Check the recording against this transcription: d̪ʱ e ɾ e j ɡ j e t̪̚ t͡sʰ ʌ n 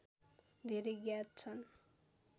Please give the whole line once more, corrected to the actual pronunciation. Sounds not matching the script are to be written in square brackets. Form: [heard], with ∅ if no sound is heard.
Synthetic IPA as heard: d̪ʱ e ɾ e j ɡ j [a] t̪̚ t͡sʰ ʌ n